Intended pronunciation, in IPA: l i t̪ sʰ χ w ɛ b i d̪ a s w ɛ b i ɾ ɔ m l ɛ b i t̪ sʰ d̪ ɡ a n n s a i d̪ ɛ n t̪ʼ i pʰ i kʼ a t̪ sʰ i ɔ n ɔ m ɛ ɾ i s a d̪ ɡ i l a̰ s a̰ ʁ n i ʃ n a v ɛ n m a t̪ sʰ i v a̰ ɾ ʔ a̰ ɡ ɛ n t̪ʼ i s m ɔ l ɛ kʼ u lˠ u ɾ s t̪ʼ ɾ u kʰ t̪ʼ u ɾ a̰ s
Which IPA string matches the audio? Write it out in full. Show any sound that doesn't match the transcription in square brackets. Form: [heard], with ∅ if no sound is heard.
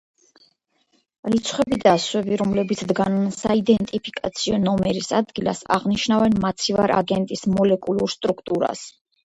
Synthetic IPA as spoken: l i t̪ sʰ χ w ɛ b i d̪ a s w ɛ b i ɾ ɔ m l ɛ b i t̪ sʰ d̪ ɡ a n n s a i d̪ ɛ n t̪ʼ i pʰ i kʼ a t̪ sʰ i ɔ n ɔ m ɛ ɾ i s a d̪ ɡ i l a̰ s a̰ ʁ n i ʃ n a v ɛ n m a t̪ sʰ i v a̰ ɾ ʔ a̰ ɡ ɛ n t̪ʼ i s m ɔ l ɛ kʼ u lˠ u ɾ s t̪ʼ ɾ u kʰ t̪ʼ u ɾ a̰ s